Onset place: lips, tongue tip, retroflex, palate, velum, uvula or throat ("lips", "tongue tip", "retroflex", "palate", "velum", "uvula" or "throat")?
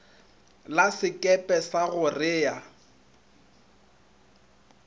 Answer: tongue tip